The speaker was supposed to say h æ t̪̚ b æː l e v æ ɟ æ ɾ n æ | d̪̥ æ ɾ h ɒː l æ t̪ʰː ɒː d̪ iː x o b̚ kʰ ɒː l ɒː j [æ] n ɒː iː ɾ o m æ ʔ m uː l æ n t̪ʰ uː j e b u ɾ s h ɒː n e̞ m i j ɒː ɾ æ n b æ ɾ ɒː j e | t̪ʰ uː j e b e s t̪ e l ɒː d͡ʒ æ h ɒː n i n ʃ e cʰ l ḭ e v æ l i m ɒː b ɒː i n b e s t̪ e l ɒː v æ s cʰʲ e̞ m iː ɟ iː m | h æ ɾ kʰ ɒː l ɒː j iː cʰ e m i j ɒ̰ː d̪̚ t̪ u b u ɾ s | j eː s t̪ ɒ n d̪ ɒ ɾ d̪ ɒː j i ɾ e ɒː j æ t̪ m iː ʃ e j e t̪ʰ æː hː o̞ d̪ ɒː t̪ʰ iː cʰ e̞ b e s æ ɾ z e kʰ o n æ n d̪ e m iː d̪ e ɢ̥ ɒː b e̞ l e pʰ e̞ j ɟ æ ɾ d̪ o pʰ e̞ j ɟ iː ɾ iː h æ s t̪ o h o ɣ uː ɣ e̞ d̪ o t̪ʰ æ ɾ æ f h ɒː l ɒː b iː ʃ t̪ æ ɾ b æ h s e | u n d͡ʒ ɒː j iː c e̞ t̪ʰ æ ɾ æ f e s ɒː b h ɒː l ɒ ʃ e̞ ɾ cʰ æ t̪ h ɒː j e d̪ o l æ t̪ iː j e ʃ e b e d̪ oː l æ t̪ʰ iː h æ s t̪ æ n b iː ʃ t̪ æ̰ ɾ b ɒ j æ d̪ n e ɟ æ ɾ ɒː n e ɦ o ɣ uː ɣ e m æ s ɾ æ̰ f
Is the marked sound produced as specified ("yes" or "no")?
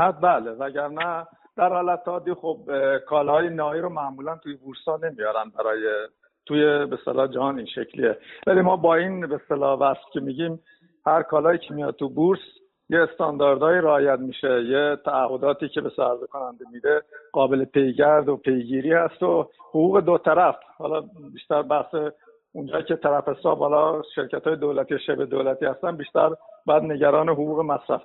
no